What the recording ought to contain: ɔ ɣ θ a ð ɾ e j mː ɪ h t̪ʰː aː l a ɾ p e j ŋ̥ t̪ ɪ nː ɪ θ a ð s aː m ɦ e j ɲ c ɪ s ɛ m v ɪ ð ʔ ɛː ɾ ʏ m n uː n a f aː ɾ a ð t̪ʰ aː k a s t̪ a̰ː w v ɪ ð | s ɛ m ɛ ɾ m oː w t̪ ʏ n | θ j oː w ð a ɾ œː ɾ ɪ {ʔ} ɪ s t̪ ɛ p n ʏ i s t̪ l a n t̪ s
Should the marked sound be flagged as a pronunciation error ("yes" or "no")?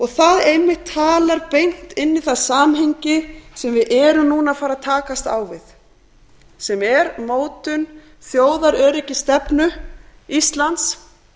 yes